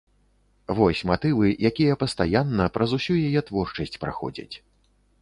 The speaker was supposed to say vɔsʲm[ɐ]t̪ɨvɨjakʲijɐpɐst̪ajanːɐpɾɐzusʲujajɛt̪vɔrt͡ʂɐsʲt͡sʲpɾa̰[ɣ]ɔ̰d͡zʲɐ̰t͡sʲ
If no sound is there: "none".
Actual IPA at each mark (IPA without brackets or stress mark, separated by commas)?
a, x